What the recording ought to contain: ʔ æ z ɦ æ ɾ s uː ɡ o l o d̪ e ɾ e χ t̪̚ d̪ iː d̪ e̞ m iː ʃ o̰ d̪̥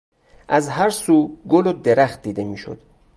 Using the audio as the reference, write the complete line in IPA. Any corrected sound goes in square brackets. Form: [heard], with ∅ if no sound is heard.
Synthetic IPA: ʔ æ z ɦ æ ɾ s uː ɡ o l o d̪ e ɾ [æ] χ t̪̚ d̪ iː d̪ e̞ m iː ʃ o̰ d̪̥